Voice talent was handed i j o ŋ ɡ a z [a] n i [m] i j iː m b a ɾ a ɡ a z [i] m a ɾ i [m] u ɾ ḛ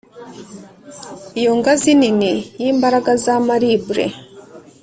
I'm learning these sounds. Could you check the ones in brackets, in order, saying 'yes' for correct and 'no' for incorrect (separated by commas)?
no, no, no, no